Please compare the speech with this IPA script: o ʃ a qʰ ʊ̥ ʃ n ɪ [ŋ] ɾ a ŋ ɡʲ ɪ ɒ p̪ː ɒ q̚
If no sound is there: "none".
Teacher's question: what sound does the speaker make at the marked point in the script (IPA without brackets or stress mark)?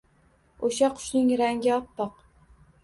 ŋ